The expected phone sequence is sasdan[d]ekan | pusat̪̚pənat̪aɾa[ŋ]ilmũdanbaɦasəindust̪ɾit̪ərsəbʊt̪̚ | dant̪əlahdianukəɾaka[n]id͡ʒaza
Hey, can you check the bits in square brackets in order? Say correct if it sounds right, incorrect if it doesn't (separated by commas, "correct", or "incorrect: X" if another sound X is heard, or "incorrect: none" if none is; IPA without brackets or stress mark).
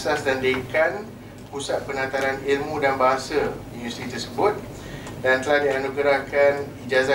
correct, incorrect: n, correct